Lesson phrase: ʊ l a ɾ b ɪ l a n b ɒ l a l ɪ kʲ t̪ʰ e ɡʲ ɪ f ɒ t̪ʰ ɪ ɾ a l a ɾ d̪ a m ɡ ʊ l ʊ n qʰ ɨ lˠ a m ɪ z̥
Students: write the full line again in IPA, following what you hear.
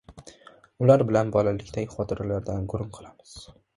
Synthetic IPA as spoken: ʊ l a ɾ b ɪ l a n b ɒ l a l ɪ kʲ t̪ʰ a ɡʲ ɪ χ ɒ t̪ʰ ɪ ɾ a l a ɾ d̪ a n ɡ ʊ ɾ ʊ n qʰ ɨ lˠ a m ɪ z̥